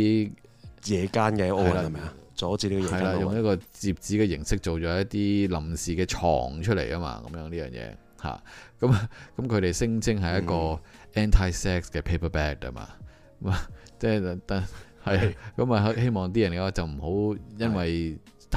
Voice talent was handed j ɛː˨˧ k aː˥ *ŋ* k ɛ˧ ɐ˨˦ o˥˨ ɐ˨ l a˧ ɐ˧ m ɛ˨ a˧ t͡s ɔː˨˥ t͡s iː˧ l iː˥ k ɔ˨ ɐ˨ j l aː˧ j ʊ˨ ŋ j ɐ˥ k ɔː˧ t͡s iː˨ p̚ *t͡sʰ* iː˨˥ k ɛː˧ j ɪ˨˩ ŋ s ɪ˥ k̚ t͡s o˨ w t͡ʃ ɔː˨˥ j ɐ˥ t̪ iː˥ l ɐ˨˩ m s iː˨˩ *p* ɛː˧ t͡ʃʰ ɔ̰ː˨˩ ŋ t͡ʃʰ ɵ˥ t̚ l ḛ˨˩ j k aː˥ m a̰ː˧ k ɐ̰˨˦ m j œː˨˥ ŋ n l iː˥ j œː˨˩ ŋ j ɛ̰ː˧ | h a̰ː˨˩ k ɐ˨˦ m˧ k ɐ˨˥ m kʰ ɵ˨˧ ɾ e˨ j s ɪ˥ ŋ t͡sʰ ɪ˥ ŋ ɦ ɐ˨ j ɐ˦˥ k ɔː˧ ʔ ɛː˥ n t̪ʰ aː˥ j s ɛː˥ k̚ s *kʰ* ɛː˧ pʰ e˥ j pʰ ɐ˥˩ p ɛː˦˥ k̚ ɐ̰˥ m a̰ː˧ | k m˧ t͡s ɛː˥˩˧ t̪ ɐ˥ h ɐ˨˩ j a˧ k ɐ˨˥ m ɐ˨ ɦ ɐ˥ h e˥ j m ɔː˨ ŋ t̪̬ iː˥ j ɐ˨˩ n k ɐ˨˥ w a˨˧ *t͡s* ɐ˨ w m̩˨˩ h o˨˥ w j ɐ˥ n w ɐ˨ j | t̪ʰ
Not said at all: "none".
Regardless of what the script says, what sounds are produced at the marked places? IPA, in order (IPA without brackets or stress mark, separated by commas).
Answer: n, t͡s, k, k, t͡s